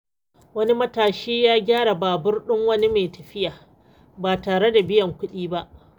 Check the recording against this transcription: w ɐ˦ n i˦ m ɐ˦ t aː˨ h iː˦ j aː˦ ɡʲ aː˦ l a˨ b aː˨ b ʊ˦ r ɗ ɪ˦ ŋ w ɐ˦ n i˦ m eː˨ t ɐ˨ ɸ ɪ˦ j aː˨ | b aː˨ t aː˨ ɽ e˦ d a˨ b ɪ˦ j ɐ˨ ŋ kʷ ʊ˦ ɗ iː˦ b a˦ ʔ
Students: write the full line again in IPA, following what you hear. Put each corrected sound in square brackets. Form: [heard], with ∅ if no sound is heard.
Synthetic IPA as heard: w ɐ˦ n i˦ m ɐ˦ t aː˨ [ʃ] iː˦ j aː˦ ɡʲ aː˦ [ɽ] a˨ b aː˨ b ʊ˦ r ɗ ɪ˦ ŋ w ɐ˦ n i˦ m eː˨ t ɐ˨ ɸ ɪ˦ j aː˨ | b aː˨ t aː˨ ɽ e˦ d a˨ b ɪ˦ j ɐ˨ ŋ kʷ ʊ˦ ɗ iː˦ b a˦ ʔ